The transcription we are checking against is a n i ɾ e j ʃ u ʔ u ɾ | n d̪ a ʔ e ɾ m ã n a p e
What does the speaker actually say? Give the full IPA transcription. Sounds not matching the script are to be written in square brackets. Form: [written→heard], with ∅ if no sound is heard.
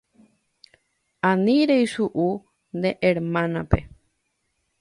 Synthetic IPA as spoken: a n i ɾ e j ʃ u ʔ u [ɾ→∅] | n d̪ [a→e] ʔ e ɾ m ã n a p e